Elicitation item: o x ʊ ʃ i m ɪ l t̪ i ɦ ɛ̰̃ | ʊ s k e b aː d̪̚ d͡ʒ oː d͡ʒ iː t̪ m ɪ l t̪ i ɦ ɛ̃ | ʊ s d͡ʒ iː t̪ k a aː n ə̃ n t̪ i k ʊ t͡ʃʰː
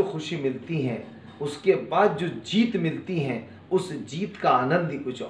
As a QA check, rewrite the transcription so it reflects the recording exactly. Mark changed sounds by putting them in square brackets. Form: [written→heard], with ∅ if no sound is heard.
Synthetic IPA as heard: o x ʊ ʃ i m ɪ l t̪ i ɦ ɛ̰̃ | ʊ s k e b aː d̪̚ d͡ʒ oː d͡ʒ iː t̪ m ɪ l t̪ i ɦ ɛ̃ | ʊ s d͡ʒ iː t̪ k a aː n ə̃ n [t̪→d̪] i k ʊ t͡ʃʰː